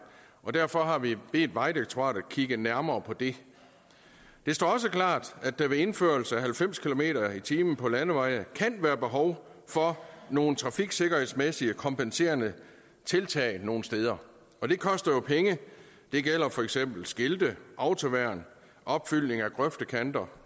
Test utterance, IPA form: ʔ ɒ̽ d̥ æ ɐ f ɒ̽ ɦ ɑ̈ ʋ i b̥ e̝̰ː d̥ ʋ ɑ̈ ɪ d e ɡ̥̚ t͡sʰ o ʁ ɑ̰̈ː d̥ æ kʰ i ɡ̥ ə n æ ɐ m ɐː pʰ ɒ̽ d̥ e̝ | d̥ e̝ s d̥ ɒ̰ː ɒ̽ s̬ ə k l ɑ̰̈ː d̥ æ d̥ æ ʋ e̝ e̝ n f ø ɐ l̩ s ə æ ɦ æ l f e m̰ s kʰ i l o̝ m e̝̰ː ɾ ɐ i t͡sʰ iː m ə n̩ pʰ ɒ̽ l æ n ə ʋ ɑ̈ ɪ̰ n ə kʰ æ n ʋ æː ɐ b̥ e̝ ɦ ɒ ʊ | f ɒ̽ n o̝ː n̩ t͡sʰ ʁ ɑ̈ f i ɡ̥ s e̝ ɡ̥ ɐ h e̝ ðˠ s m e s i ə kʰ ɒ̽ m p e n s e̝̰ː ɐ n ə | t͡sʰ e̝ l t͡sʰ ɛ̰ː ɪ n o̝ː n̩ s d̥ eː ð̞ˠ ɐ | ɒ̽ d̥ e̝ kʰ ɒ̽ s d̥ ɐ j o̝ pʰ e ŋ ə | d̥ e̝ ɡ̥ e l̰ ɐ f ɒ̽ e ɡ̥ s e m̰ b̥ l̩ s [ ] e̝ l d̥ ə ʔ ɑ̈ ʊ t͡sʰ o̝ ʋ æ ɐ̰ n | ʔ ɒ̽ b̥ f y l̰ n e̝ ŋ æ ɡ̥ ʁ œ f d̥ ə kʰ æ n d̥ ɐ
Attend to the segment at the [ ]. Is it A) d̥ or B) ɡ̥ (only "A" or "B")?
B